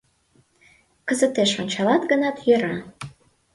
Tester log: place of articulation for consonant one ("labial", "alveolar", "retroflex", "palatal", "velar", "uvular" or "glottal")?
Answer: velar